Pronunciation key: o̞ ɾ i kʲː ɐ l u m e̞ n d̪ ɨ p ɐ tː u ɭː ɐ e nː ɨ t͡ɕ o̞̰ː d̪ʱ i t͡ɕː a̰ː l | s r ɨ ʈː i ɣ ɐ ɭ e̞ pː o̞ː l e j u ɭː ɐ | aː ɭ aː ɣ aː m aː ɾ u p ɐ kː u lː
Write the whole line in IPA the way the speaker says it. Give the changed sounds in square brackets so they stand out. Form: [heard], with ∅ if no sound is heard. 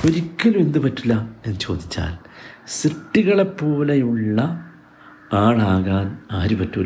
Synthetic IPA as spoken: o̞ ɾ i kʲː ɐ l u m e̞ n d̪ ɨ p ɐ tː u [lː] ɐ e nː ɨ t͡ɕ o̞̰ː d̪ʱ i t͡ɕː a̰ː l | s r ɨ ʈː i ɣ ɐ ɭ e̞ pː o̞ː l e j u ɭː ɐ | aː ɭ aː ɣ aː [n] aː ɾ u p ɐ [tː] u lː